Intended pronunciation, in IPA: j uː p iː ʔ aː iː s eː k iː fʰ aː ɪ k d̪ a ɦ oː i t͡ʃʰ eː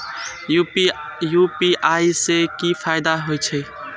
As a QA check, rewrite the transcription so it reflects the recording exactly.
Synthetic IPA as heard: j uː p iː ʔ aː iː s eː k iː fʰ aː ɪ d̪ a ɦ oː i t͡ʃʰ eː